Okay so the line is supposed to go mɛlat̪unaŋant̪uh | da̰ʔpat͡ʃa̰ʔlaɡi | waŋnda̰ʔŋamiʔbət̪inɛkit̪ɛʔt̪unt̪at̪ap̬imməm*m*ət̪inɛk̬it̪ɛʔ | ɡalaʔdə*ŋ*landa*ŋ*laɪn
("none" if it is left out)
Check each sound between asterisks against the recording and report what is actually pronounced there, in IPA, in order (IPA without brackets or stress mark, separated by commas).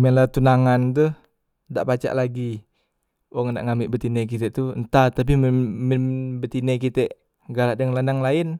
b, ŋ, ŋ